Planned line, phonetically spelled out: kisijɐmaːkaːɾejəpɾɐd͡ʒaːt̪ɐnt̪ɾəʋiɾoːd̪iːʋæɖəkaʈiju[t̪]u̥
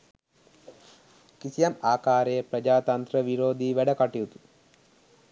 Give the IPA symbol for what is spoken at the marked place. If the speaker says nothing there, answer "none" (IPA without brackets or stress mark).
t̪